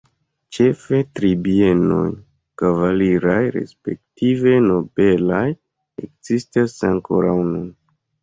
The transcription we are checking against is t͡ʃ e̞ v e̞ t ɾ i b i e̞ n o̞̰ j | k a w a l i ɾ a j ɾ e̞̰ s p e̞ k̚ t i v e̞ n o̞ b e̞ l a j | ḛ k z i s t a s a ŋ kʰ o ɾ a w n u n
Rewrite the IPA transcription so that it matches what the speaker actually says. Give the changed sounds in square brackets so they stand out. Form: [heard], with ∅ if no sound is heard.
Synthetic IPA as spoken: t͡ʃ e̞ [f] e̞ t ɾ i b i e̞ n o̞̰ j | k a [v] a l i ɾ a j ɾ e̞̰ s p e̞ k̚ t i v e̞ n o̞ b e̞ l a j | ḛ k z i s t a s a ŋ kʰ o ɾ a w n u n